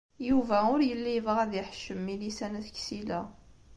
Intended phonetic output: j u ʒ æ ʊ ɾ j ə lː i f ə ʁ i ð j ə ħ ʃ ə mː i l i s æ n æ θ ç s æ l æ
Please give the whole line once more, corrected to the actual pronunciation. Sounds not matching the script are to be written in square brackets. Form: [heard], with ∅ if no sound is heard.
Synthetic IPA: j u [v] æ ʊ ɾ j ə lː i [v] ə ʁ [æ] ð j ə ħ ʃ ə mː i l i s æ n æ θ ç s [i] l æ